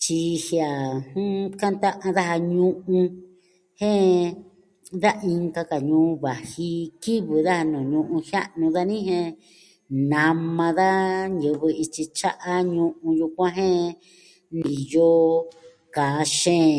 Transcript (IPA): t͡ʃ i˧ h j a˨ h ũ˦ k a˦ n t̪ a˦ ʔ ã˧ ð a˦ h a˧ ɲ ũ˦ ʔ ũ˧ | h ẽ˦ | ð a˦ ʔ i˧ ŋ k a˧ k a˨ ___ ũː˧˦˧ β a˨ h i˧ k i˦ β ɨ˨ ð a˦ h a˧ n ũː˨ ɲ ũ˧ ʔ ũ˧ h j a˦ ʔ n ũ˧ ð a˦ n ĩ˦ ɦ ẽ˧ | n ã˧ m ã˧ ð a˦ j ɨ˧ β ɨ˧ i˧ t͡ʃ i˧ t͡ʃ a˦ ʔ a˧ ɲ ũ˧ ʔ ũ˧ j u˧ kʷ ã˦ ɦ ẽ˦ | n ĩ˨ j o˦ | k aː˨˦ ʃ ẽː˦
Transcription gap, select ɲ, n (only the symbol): ɲ